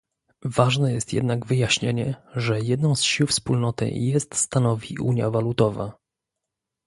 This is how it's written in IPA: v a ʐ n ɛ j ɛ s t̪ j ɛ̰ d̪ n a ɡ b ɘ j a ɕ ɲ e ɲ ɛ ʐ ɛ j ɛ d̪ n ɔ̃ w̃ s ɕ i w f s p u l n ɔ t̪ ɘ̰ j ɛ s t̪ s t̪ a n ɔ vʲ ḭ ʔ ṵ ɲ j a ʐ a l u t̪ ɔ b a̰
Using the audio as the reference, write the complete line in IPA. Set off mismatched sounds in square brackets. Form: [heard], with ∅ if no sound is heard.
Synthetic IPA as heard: v a ʐ n ɛ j ɛ s t̪ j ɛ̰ d̪ n a ɡ [v] ɘ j a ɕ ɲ e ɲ ɛ ʐ ɛ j ɛ d̪ n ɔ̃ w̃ s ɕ i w f s p u l n ɔ t̪ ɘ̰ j ɛ s t̪ s t̪ a n ɔ vʲ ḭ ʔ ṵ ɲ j a [v] a l u t̪ ɔ [v] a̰